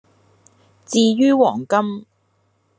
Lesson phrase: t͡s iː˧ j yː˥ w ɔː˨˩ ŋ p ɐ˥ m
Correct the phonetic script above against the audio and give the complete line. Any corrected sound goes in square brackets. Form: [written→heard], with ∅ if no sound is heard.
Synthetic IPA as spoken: t͡s iː˧ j yː˥ w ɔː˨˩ ŋ [p→k] ɐ˥ m